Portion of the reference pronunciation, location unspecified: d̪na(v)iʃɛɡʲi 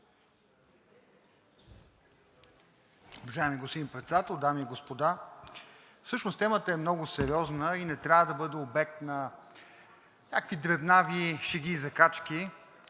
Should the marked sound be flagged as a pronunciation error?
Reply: no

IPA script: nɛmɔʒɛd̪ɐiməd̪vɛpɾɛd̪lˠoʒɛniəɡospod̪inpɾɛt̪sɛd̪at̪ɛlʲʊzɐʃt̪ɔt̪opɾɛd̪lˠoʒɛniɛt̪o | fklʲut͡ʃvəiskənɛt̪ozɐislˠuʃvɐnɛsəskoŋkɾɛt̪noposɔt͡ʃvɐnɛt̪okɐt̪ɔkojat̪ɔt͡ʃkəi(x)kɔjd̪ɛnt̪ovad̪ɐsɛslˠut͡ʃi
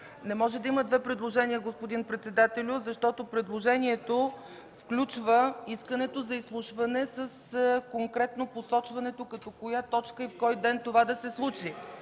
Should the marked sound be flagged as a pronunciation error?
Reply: yes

